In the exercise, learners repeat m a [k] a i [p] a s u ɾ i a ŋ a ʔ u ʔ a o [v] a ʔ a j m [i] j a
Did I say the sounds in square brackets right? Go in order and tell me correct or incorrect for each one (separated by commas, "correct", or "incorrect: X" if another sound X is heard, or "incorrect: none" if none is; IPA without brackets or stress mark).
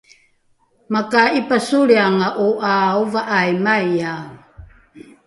correct, correct, correct, incorrect: a